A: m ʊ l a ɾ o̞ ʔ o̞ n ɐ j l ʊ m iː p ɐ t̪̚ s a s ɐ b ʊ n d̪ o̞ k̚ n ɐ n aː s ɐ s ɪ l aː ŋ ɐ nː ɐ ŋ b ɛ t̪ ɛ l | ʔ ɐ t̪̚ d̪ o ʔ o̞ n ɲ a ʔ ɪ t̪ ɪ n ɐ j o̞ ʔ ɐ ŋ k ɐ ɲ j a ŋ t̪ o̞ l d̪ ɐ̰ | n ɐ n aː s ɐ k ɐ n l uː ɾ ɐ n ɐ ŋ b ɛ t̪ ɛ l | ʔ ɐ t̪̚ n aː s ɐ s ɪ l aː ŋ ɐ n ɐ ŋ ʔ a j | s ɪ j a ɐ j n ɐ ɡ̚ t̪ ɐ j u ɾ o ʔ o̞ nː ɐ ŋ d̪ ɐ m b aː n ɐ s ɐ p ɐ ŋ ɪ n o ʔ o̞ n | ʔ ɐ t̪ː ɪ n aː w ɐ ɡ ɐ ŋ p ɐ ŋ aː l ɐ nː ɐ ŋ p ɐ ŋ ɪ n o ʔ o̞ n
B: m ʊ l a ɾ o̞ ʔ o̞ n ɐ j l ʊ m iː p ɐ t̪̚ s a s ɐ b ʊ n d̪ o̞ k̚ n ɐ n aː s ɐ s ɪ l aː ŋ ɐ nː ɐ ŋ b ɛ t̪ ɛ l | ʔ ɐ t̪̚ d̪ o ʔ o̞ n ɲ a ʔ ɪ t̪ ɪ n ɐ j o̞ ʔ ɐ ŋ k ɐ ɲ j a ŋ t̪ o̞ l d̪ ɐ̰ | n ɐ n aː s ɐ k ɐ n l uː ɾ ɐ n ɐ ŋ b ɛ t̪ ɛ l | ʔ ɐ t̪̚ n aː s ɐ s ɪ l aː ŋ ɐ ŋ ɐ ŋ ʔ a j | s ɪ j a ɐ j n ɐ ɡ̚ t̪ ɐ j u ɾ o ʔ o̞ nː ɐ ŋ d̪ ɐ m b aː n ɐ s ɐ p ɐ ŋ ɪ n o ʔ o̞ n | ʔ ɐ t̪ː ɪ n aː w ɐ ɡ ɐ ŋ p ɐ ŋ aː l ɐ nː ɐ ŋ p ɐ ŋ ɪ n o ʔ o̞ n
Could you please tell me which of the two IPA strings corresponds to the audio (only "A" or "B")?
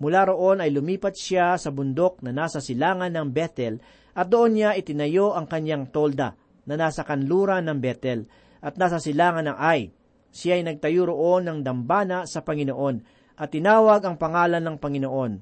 A